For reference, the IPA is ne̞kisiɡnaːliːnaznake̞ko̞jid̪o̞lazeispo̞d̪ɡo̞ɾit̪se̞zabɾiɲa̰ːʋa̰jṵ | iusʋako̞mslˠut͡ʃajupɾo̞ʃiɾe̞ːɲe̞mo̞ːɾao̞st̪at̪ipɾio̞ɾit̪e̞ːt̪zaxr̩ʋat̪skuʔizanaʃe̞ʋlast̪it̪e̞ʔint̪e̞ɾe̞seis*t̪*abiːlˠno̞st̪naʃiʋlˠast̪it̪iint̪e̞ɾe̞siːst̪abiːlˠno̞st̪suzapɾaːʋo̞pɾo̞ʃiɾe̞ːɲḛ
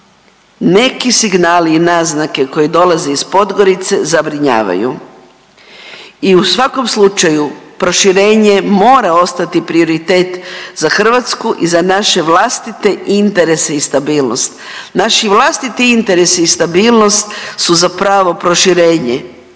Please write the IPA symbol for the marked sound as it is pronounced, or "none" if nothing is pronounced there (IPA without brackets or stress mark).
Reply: t̪